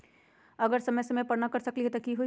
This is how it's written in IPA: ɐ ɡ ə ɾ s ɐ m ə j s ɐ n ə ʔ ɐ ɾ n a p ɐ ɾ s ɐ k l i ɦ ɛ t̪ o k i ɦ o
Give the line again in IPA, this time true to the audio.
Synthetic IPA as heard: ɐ ɡ ə ɾ s ɐ m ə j s ɐ m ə p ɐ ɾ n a k ɐ ɾ s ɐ k l i ɦ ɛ t̪ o k i ɦ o